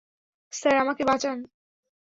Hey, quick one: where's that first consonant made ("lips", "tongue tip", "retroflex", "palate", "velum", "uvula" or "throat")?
tongue tip